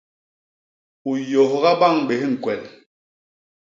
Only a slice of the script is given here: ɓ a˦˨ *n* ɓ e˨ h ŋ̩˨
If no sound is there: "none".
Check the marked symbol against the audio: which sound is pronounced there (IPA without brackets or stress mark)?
ŋ